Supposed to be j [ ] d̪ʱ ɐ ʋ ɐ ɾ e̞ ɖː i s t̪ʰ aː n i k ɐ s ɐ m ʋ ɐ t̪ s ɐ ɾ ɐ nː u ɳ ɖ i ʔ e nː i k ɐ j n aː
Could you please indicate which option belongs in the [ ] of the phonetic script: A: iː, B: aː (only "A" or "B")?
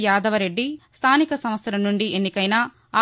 B